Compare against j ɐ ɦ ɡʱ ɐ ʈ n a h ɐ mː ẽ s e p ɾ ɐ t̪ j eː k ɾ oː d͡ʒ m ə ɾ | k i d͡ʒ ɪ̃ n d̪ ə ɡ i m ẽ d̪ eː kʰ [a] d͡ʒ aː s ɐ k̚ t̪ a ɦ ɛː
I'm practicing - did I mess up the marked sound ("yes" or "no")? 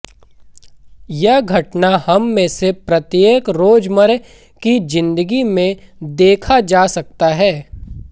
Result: no